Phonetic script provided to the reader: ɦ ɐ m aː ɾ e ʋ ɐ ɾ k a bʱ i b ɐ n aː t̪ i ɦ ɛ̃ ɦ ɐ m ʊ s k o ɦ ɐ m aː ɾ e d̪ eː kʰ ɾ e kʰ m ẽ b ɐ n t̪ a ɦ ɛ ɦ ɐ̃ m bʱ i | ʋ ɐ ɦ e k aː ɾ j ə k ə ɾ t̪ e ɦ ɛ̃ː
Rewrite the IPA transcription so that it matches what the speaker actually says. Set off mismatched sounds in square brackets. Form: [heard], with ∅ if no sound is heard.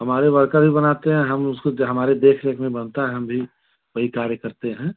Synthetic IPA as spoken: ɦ ɐ m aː ɾ e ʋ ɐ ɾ k a bʱ i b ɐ n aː t̪ [e] ɦ ɛ̃ ɦ ɐ m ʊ s k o ɦ ɐ m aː ɾ e d̪ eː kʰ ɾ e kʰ m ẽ b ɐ n t̪ a ɦ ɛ ɦ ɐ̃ m bʱ i | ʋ ɐ ɦ [i] k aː ɾ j ə k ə ɾ t̪ e ɦ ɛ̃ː